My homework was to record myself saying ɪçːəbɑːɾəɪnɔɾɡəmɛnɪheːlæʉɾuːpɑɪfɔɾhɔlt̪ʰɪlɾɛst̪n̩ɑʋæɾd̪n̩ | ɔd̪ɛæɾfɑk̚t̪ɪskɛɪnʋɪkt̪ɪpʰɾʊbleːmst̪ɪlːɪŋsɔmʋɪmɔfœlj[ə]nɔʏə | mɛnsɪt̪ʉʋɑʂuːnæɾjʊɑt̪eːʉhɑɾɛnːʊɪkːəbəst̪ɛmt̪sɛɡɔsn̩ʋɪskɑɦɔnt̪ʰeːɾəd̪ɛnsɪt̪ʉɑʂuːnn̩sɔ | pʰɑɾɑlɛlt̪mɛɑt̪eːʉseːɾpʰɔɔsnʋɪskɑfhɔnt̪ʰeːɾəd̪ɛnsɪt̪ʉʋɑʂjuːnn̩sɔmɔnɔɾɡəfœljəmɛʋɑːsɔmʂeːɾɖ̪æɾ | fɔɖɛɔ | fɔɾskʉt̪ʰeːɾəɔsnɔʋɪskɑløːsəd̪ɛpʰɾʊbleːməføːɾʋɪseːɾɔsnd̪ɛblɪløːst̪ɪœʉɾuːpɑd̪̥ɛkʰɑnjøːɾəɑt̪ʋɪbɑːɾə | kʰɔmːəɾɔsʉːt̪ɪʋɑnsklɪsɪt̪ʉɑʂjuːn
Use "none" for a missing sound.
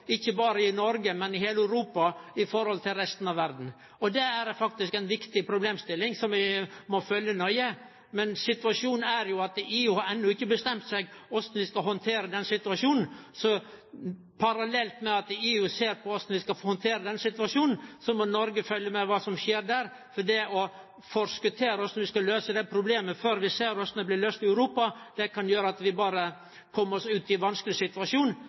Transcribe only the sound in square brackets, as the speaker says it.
ə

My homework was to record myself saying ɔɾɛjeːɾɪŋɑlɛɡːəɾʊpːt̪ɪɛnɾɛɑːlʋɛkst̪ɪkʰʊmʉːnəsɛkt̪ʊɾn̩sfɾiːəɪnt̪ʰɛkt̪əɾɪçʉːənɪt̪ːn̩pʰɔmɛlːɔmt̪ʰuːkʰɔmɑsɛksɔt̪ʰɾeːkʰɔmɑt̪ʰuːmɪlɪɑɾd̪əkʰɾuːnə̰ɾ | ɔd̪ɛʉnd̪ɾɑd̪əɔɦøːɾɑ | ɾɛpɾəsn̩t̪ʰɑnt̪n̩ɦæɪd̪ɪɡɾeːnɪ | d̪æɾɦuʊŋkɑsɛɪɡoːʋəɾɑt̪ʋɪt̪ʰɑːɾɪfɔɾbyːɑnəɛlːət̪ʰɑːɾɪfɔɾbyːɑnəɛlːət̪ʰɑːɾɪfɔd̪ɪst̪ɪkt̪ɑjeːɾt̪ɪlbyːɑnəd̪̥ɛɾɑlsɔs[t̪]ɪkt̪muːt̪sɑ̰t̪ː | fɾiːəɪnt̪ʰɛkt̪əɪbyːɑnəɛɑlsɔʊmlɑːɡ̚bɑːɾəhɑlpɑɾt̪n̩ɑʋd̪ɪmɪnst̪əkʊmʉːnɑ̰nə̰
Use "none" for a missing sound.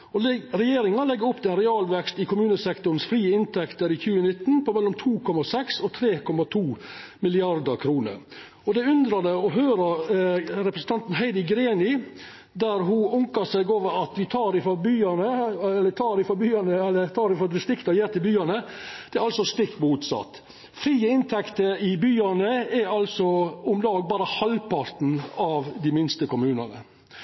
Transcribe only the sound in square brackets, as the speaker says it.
t̪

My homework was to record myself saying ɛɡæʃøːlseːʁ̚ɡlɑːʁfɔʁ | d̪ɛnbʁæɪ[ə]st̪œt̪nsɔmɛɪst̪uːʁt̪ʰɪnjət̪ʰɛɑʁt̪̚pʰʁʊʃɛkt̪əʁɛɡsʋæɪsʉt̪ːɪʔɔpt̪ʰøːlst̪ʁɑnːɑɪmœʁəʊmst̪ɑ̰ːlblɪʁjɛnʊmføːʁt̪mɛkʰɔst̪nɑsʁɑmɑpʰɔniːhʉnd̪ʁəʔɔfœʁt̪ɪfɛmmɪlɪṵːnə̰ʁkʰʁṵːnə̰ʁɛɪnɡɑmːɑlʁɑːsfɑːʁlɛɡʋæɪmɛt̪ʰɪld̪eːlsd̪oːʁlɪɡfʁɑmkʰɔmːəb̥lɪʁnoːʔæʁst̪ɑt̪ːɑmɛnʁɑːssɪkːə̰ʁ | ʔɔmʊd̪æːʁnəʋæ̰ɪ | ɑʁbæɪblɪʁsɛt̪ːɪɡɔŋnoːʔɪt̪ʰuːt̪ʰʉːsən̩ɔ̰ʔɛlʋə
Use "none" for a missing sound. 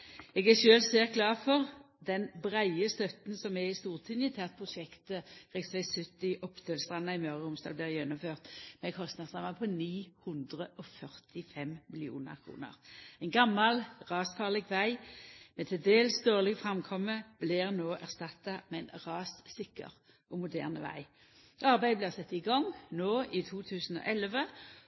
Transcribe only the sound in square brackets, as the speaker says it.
ə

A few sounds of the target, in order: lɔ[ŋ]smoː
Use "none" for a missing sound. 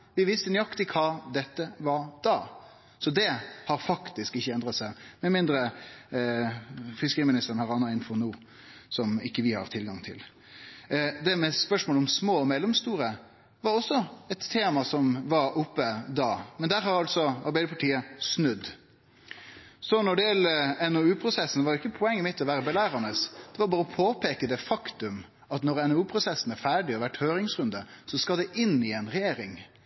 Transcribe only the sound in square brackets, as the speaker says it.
m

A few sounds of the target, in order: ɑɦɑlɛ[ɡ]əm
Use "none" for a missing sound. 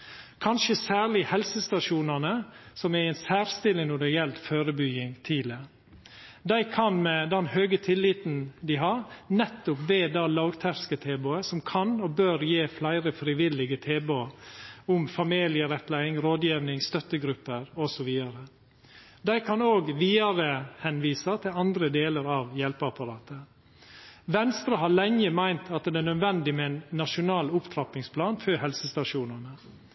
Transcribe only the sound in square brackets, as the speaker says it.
ŋ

